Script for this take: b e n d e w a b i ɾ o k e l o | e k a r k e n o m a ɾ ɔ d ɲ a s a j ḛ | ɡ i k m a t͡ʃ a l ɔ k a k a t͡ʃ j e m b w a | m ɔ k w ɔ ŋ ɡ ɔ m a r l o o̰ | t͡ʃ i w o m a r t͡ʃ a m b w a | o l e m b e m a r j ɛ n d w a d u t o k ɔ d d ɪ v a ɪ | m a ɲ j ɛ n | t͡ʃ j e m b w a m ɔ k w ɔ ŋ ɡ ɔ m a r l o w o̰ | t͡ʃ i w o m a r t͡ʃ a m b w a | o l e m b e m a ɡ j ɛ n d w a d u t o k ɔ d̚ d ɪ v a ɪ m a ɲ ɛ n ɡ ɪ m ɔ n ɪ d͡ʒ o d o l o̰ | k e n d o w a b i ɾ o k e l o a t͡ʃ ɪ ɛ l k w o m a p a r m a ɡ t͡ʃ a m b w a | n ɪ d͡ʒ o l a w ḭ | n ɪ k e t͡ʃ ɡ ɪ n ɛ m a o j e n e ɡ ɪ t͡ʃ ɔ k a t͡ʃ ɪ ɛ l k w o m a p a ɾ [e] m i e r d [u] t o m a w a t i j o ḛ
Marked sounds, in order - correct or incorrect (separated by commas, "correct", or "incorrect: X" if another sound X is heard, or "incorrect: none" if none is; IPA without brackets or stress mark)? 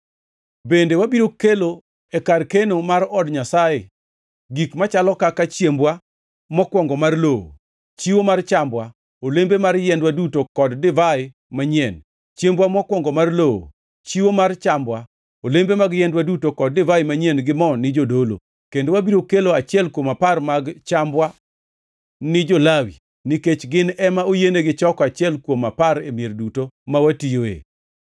correct, correct